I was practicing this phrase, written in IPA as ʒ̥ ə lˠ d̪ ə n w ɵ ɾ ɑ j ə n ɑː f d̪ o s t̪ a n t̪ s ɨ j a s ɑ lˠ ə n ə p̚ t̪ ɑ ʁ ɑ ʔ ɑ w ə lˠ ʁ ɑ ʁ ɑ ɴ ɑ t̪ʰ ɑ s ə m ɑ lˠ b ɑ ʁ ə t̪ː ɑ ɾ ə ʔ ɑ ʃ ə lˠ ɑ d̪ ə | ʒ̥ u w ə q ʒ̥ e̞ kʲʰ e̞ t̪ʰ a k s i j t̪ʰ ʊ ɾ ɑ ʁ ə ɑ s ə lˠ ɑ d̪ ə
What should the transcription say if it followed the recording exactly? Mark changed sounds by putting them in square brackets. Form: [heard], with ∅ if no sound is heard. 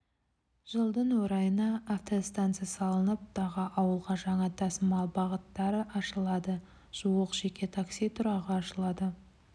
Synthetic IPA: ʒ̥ ə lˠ d̪ ə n w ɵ ɾ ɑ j ə n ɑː f [t̪] o s t̪ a n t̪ s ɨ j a s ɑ lˠ ə n ə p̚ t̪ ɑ ʁ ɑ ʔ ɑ w ə lˠ ʁ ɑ [ʒ] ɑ ɴ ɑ t̪ʰ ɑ s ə m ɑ lˠ b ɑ ʁ ə t̪ː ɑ ɾ ə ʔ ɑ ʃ ə lˠ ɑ d̪ ə | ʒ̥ u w ə q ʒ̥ e̞ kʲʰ e̞ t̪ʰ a k s i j t̪ʰ ʊ ɾ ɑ ʁ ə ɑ [ʃ] ə lˠ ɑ d̪ ə